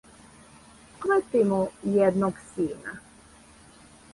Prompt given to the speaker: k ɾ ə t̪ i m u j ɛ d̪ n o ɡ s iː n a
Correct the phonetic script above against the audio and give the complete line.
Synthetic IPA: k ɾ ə t̪ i m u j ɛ d̪ n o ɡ s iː n a